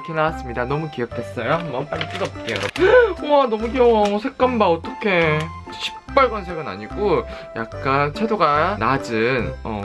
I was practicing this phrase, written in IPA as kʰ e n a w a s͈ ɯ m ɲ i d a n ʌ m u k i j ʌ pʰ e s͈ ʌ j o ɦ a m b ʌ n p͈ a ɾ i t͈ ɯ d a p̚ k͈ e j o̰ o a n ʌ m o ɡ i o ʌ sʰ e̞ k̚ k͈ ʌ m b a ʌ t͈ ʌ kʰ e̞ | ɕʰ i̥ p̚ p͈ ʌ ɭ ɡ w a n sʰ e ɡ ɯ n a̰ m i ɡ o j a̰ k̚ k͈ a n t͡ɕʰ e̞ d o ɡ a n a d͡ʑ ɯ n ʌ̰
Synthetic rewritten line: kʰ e n a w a s͈ ɯ m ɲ i d a n ʌ m u k i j ʌ kʰ e s͈ ʌ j o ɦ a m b ʌ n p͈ a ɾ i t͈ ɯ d ʌ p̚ k͈ e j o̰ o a n ʌ m u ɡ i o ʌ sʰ e̞ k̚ k͈ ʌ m b a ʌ t͈ ʌ kʰ e̞ | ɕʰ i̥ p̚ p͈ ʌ ɭ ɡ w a n sʰ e ɡ ɯ n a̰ ɲ i ɡ o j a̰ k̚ k͈ a n t͡ɕʰ e̞ d o ɡ a n a d͡ʑ ɯ n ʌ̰